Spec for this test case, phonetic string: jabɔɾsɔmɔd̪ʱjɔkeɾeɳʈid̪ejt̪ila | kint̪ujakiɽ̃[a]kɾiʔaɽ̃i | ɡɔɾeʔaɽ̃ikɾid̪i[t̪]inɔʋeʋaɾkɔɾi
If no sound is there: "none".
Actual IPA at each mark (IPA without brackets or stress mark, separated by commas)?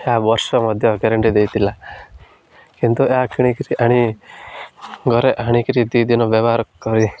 i, d̪